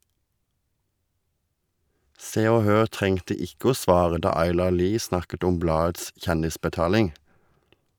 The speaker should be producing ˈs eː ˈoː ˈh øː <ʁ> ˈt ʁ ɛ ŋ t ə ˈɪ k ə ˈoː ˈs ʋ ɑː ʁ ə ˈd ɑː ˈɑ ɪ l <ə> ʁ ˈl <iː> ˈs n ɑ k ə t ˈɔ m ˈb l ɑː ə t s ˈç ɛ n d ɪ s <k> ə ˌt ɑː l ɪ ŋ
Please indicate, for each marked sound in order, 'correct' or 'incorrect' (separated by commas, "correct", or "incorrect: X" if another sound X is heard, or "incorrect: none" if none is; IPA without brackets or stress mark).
correct, incorrect: ɑ, correct, incorrect: p